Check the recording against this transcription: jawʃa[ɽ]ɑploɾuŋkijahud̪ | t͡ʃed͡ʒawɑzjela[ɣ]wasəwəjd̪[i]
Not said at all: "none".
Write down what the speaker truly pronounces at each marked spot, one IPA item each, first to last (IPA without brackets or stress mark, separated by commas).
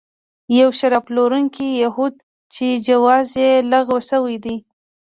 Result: ɾ, ɣ, i